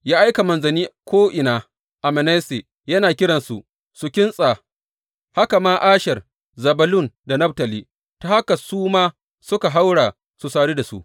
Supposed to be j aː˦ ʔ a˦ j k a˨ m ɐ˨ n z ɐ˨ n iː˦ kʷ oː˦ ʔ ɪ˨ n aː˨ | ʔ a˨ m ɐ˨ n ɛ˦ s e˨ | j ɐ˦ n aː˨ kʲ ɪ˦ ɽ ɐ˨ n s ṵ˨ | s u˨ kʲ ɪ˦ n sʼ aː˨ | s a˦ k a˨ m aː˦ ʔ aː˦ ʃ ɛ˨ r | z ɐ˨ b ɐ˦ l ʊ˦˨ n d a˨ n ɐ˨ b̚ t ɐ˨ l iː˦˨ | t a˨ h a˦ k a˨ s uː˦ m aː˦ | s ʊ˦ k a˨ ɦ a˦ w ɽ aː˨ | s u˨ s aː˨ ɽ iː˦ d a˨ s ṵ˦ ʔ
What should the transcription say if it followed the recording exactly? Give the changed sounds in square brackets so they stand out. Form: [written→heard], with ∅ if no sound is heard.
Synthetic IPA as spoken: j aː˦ ʔ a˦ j k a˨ m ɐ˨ n z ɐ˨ n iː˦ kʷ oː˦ ʔ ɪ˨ n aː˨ | ʔ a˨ m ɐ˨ n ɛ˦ s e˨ | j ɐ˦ n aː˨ kʲ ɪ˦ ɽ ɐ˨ n s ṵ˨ | s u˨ kʲ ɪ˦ n sʼ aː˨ | [s→h] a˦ k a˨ m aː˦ ʔ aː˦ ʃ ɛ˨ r | z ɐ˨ b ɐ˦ l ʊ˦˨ n d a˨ n [ɐ˨→ɐ˦] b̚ t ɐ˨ l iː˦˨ | t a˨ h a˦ k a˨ s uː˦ m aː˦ | s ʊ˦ k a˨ ɦ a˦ w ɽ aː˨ | s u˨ s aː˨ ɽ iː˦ d a˨ s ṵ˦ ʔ